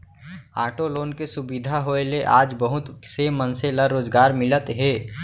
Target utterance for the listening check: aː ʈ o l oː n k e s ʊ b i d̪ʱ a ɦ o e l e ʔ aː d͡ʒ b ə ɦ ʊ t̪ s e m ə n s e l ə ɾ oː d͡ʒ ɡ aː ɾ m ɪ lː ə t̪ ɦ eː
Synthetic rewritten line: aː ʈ o l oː n k e s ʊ b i d̪ʱ a ɦ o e l e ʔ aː d͡ʒ b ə ɦ ʊ t̪ s e m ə n s e l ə ɾ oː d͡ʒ ɡ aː ɾ m ɪ l ə t̪ ɦ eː